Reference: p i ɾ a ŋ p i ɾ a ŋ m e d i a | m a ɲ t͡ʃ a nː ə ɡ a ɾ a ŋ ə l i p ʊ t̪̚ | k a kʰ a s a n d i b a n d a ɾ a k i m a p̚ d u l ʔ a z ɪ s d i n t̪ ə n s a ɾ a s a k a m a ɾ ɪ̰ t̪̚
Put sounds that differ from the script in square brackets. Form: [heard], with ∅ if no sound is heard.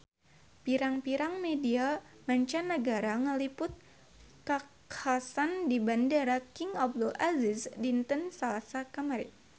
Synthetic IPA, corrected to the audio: p i ɾ a ŋ p i ɾ a ŋ m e d i a | m a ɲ t͡ʃ a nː ə ɡ a ɾ a ŋ ə l i p ʊ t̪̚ | k a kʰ a s a n d i b a n d a ɾ a k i [ŋ] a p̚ d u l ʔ a z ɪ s d i n t̪ ə n s a [l] a s a k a m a ɾ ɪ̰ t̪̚